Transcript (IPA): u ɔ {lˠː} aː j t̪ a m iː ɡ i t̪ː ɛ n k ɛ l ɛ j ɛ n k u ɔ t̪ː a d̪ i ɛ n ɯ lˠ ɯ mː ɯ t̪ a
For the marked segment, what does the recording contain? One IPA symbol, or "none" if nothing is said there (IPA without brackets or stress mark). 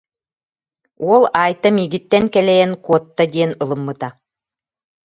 lˠ